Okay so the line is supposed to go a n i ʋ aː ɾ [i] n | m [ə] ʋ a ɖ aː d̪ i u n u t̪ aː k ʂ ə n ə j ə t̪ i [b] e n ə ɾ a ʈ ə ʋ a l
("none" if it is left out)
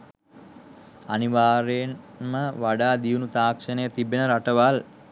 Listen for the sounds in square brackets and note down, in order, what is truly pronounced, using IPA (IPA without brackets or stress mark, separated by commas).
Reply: e, ə, b